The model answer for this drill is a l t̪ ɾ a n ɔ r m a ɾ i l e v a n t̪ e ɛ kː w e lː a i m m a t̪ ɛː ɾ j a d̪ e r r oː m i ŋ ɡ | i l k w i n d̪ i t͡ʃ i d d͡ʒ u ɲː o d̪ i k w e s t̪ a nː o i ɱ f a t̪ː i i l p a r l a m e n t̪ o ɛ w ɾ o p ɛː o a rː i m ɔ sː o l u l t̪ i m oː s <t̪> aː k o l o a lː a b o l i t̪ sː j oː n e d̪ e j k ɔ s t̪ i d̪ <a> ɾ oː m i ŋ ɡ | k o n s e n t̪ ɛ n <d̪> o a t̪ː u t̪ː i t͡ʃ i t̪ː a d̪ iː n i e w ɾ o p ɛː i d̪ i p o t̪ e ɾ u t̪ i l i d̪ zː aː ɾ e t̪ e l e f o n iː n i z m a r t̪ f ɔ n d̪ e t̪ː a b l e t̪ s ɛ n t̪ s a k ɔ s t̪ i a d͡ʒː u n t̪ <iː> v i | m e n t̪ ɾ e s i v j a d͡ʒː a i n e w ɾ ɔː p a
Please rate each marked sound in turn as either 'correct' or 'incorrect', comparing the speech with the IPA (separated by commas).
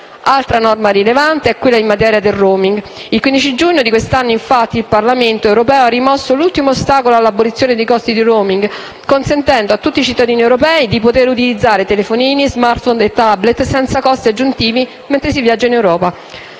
correct, incorrect, correct, correct